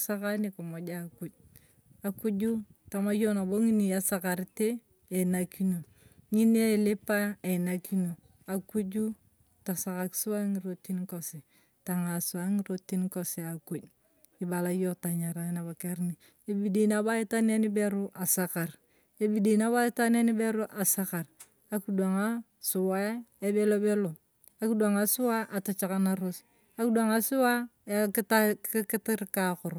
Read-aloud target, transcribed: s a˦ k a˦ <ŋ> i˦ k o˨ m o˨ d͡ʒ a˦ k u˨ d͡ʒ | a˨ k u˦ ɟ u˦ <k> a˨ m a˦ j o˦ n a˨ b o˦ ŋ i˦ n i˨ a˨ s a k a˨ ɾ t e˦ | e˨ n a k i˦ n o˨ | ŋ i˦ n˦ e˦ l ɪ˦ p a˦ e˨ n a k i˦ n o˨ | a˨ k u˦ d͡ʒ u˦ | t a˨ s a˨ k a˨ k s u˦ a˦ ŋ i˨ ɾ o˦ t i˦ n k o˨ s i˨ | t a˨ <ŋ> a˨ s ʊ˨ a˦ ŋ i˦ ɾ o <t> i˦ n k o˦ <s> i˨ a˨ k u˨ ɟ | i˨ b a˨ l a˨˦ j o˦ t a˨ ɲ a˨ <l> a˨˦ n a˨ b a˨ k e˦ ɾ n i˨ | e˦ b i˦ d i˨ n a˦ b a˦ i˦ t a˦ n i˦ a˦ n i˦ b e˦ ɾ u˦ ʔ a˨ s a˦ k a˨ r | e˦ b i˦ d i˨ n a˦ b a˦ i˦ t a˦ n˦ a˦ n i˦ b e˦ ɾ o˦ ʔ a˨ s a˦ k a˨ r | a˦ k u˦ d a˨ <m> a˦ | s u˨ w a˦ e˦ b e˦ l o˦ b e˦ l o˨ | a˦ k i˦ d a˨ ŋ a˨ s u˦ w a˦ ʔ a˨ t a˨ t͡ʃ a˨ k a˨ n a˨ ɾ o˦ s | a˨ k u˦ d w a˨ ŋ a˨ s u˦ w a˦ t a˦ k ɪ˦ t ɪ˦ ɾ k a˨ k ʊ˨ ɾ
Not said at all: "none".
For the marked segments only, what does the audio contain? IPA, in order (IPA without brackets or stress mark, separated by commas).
n, t, ŋ, t, s, ɾ, ŋ